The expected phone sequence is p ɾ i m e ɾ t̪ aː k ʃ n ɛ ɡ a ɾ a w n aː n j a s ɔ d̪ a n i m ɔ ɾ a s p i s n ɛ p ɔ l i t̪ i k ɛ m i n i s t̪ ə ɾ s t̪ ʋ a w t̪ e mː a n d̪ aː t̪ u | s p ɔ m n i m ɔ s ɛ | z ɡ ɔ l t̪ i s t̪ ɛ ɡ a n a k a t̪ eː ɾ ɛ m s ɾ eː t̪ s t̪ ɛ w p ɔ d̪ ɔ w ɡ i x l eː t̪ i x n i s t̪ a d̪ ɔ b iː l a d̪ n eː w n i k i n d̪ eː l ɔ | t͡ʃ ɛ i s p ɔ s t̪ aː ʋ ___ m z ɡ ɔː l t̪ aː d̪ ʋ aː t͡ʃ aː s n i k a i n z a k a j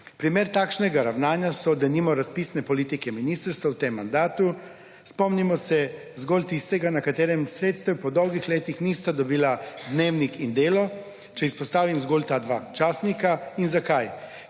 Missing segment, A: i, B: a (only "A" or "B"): A